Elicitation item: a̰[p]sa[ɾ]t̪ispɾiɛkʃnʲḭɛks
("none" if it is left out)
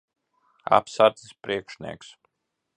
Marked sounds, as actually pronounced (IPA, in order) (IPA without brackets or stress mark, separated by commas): p, ɾ